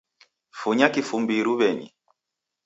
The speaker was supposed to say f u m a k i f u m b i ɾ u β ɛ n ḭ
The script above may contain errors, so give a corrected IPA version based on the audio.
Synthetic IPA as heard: f u ɲ a k i f u m b i ɾ u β ɛ ɲ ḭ